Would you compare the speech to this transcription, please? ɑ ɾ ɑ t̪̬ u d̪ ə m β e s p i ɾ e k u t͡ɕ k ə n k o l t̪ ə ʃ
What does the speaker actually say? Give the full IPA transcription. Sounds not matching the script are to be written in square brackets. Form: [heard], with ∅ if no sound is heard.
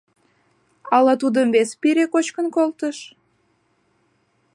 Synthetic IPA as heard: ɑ [l] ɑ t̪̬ u d̪ ə m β e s p i ɾ e k [o] t͡ɕ k ə n k o l t̪ ə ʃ